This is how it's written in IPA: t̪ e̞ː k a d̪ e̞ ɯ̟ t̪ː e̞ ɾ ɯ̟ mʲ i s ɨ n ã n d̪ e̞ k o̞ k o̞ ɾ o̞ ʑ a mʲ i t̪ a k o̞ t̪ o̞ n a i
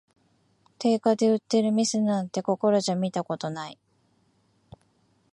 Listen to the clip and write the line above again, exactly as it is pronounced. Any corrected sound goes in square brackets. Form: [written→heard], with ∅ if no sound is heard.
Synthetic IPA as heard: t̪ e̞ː k a d̪ e̞ ɯ̟ t̪ː e̞ ɾ ɯ̟ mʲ i s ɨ n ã n [d̪→t̪] e̞ k o̞ k o̞ ɾ o̞ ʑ a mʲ i t̪ a k o̞ t̪ o̞ n a i